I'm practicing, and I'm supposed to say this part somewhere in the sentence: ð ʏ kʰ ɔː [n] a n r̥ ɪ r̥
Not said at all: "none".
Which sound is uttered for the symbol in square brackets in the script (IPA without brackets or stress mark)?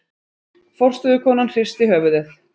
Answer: n